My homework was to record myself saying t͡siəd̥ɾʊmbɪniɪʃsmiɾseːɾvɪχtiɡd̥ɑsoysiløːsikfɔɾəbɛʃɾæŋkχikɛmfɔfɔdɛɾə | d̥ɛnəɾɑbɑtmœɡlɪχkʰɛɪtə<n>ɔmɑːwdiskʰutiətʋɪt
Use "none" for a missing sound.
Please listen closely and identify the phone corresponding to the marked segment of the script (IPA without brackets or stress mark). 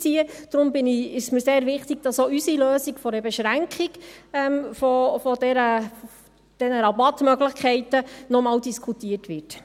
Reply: n